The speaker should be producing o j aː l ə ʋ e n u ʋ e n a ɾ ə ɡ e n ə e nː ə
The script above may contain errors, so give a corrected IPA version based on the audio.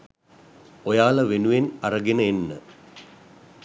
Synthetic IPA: o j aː l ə ʋ e n u ʋ e n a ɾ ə ɡ e n ə e nː ə